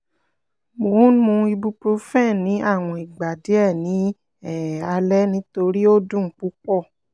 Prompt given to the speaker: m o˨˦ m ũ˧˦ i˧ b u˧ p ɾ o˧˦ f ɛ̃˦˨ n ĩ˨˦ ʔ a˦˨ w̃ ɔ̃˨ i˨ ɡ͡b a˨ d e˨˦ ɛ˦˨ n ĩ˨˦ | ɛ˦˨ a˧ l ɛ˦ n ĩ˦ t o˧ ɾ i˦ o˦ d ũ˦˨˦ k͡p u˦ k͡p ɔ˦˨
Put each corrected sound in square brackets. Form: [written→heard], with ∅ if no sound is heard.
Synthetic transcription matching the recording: m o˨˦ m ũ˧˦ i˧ b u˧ p ɾ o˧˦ f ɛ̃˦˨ n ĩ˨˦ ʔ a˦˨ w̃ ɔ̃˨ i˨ ɡ͡b a˨ d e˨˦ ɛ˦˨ n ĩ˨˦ | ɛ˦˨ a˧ l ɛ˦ n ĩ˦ t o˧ ɾ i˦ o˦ d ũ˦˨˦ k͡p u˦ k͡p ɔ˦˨

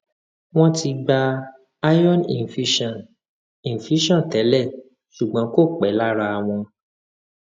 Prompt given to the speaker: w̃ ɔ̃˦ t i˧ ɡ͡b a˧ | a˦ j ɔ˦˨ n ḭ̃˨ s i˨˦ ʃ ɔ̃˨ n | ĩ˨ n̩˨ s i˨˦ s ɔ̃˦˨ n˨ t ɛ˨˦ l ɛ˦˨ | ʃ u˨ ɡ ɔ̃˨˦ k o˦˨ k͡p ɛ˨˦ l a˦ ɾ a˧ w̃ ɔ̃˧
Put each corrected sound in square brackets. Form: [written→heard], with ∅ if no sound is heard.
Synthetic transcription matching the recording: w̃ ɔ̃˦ t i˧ ɡ͡b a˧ | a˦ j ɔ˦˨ n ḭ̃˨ [s→f] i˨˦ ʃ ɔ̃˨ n | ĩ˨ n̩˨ [s→f] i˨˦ [s→ʃ] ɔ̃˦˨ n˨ t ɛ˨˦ l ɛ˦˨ | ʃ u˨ [ɡ→ɡ͡b] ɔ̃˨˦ k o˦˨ k͡p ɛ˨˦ l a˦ ɾ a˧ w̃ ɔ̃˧

